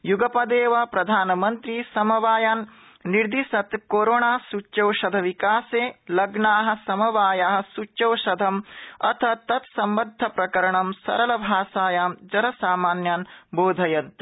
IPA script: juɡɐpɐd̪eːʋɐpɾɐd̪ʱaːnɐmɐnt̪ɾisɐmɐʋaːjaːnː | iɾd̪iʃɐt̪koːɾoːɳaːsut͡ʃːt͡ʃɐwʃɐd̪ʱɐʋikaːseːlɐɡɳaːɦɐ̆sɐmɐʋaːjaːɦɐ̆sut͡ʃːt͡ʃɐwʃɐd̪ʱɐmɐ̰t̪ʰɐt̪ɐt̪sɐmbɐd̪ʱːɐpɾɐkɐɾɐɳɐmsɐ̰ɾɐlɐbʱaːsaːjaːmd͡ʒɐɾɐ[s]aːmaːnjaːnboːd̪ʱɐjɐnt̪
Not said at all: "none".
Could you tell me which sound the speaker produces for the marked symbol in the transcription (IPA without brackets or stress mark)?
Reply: s